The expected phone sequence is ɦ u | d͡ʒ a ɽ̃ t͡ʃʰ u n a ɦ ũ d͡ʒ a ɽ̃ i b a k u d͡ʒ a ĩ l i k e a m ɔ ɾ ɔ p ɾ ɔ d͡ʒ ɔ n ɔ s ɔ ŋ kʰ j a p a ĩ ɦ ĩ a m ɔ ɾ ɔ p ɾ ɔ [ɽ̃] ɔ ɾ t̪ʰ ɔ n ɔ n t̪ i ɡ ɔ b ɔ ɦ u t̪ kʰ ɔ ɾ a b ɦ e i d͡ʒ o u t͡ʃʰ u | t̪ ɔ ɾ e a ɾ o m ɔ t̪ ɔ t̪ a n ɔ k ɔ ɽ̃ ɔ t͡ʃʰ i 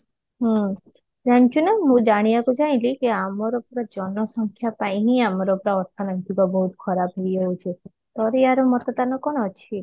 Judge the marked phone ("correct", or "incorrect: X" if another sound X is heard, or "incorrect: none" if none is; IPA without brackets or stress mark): incorrect: none